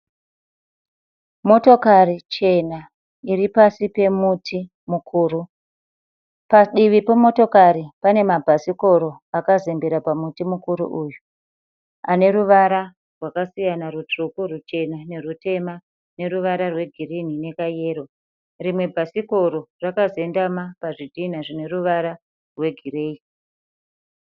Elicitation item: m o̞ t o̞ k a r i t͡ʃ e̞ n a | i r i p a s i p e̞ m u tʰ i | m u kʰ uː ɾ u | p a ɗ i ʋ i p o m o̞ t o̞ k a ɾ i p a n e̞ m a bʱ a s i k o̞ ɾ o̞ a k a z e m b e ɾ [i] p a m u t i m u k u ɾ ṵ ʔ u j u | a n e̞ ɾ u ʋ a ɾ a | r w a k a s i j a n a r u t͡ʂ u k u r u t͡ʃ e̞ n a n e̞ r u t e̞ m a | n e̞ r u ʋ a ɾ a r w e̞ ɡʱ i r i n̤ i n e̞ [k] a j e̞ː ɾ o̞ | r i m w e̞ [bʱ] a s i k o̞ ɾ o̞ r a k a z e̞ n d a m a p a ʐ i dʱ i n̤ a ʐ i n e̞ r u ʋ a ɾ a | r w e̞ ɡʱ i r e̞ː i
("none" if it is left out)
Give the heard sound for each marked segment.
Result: a, k, bʱ

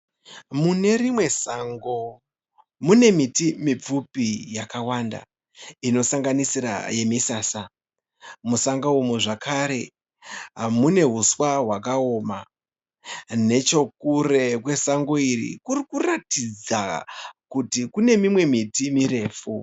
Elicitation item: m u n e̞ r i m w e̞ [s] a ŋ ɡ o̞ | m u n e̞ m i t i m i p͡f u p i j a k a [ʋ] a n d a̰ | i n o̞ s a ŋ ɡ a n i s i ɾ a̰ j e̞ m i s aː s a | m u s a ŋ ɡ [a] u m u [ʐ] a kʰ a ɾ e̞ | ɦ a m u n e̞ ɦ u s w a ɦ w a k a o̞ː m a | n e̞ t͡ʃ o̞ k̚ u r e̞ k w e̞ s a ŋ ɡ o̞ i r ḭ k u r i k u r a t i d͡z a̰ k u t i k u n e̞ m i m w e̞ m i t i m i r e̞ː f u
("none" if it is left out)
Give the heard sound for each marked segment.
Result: s, w, a, ʐ

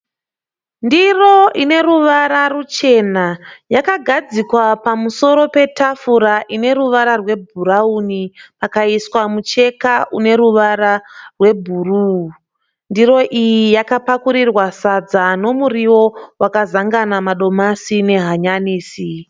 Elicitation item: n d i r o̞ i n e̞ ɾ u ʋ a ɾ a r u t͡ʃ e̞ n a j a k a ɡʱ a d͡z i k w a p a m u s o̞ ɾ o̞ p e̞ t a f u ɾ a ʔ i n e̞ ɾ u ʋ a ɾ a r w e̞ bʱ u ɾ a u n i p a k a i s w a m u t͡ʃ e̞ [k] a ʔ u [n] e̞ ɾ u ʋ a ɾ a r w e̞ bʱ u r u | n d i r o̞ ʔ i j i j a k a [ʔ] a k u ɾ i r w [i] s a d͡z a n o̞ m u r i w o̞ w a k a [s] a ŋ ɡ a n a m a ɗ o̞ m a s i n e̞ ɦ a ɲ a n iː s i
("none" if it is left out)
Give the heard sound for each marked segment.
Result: k, n, p, a, z

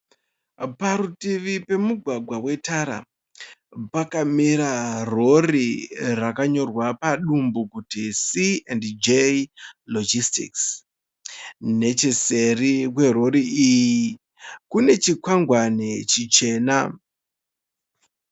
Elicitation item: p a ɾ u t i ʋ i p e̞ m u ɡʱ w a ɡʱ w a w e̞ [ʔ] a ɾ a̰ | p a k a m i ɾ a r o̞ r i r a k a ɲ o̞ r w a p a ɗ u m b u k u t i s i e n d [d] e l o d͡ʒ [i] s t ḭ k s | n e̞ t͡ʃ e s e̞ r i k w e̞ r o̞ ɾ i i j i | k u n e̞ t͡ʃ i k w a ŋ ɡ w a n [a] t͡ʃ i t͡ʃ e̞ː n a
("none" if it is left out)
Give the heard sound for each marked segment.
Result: t, d͡ʒ, i, e

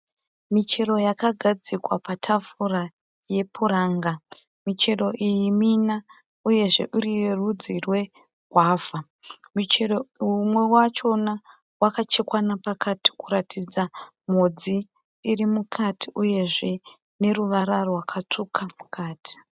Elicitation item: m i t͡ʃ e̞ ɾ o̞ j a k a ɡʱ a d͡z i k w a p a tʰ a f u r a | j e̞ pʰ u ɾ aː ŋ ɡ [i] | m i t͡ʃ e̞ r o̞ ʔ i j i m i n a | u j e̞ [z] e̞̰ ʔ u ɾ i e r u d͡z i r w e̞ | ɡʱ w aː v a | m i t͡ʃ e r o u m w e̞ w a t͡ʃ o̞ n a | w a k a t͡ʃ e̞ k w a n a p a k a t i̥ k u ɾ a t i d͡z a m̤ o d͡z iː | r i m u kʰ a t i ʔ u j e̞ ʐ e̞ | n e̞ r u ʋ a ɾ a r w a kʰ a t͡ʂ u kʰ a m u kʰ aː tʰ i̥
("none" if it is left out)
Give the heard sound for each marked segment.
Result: a, ʐ

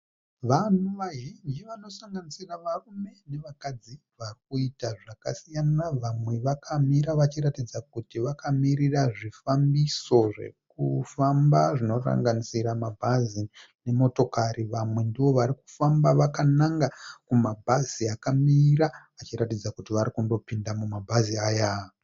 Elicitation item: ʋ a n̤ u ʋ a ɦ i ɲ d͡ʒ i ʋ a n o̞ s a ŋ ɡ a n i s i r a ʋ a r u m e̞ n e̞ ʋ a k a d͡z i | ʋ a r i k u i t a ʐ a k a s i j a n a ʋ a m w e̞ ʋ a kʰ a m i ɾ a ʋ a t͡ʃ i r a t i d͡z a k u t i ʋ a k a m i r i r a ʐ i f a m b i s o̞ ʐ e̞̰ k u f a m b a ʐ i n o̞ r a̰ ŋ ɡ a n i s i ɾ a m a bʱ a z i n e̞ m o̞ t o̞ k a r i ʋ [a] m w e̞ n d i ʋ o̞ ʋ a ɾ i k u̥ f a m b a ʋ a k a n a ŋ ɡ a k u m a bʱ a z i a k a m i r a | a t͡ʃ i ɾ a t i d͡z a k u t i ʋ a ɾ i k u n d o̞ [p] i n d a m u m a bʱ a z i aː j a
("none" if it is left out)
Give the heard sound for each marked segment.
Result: a, p

